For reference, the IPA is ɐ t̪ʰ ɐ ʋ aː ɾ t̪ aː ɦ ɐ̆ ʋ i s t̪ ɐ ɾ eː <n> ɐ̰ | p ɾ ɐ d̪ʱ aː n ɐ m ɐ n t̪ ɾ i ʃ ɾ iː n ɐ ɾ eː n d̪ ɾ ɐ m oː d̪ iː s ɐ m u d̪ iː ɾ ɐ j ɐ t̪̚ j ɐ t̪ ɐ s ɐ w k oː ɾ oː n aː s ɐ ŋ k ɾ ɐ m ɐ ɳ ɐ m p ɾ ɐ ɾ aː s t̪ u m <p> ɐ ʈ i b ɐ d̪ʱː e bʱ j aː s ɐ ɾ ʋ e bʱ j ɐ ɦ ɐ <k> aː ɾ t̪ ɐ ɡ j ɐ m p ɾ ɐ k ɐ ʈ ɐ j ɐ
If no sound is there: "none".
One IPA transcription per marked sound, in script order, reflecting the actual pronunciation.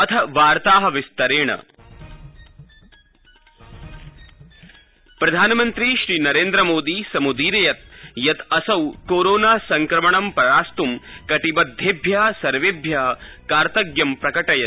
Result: ɳ, k, k

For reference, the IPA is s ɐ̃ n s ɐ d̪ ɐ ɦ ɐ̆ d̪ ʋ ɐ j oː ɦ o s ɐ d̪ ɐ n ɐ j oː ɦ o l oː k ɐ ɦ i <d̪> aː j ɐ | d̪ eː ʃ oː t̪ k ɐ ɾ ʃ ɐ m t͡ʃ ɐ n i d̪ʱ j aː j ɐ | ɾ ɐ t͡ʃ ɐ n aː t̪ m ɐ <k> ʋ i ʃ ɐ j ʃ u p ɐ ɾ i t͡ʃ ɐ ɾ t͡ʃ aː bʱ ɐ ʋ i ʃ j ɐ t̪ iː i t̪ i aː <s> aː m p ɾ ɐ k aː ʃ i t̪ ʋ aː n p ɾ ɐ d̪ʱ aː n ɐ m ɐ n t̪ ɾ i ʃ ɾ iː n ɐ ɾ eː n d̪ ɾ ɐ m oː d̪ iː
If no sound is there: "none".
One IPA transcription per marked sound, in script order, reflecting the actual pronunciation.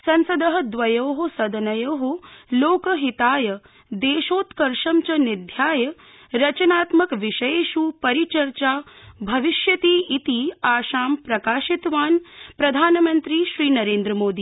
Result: t̪, k, ʃ

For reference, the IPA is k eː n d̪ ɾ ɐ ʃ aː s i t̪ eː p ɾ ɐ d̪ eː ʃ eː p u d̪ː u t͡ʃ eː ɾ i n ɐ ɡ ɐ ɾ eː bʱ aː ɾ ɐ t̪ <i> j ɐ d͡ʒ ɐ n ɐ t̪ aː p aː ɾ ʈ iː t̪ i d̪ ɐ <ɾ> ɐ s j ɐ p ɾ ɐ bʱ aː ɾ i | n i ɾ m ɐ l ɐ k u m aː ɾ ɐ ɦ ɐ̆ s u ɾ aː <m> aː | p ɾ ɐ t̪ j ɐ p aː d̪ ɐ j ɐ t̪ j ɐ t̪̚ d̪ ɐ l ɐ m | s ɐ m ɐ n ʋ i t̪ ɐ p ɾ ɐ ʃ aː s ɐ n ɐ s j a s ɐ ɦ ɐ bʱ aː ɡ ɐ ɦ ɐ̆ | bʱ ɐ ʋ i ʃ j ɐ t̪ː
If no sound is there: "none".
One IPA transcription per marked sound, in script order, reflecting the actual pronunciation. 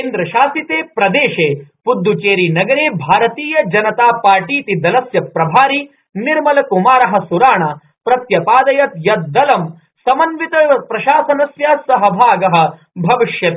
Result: iː, l, ɳ

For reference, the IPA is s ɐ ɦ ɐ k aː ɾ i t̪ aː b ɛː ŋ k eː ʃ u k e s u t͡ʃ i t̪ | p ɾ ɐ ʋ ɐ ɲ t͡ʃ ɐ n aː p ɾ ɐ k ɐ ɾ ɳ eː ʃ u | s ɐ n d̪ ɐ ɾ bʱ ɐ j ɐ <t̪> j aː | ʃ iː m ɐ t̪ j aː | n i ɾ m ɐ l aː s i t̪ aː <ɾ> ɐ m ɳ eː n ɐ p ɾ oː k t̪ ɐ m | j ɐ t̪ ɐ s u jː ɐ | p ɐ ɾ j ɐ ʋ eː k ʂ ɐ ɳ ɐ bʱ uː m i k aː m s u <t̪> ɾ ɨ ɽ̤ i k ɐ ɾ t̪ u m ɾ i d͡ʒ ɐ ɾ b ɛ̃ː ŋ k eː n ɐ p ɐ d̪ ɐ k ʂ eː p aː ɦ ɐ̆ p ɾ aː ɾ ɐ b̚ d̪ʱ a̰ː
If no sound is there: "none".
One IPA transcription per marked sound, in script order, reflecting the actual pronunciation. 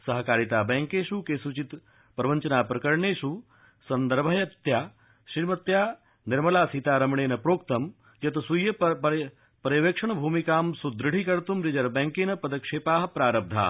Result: t̪, ɾ, d̪

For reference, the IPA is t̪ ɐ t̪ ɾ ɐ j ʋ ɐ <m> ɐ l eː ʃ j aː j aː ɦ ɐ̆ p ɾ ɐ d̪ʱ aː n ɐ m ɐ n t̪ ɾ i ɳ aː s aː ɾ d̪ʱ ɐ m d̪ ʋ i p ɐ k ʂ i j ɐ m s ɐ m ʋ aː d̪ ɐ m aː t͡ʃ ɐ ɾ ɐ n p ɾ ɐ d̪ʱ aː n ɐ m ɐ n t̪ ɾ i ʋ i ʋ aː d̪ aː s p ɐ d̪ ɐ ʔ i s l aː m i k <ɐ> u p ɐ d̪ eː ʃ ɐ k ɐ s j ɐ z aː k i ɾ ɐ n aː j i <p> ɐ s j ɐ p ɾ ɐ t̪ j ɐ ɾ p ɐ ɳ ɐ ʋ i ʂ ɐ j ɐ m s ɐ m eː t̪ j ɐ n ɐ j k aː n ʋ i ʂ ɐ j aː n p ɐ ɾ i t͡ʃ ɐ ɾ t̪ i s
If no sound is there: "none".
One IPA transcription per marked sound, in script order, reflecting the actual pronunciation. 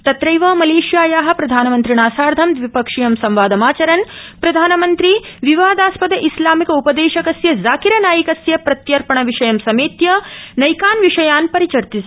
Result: m, ɐ, k

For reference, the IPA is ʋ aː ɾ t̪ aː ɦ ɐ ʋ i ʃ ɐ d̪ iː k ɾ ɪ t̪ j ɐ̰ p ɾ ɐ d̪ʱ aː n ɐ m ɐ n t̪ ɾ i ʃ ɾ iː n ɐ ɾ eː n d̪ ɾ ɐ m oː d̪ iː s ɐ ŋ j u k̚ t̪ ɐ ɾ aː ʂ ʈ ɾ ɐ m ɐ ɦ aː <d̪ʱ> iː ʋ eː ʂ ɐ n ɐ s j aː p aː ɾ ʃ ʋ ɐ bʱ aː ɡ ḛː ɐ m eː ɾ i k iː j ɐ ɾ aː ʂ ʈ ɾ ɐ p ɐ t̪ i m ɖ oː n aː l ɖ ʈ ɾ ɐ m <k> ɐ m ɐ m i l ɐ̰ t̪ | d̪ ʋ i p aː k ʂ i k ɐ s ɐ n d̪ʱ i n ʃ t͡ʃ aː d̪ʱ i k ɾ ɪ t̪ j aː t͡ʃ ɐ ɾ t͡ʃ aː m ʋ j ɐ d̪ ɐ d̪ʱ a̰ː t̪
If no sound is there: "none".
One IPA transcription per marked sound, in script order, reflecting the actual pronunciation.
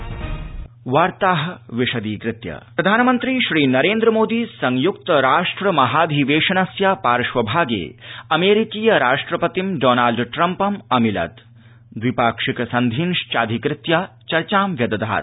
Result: d̪ʱ, p

